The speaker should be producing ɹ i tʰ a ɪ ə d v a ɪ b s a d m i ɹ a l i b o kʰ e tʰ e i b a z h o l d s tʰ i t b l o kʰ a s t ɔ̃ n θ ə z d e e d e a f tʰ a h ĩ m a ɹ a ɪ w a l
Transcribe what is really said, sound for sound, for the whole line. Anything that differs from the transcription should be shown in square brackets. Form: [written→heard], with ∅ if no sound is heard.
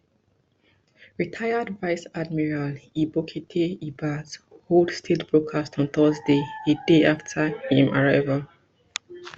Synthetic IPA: ɹ i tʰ a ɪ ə d v a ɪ [b→∅] s a d m i ɹ a l i b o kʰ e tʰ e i b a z h o l d s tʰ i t b [l→ɹ] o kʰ a s t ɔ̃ n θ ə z d e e d e a f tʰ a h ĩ m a ɹ a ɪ [w→v] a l